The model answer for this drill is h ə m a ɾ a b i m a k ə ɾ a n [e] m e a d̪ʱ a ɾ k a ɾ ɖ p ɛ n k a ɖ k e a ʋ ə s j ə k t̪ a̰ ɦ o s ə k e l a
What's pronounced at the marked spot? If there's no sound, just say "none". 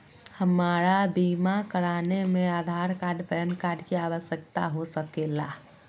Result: e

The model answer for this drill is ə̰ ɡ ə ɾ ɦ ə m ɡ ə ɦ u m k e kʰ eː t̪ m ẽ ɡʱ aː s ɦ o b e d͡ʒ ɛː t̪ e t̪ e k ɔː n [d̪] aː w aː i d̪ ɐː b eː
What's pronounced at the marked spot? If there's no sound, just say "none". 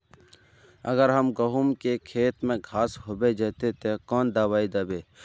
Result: d̪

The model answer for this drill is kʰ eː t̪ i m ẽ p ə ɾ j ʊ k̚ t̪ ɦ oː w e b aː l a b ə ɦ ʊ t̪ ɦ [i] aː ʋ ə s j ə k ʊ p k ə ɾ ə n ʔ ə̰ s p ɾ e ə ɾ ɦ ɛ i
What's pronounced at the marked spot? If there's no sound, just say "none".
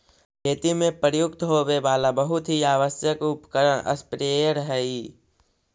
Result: i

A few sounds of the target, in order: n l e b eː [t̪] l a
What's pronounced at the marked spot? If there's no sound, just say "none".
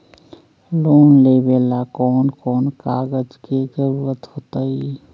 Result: none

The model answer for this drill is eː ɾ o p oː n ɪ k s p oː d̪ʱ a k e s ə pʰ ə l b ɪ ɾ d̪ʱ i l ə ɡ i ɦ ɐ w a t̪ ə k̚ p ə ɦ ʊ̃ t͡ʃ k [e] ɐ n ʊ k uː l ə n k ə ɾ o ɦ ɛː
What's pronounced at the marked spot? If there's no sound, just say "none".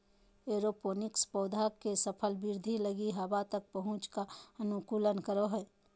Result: a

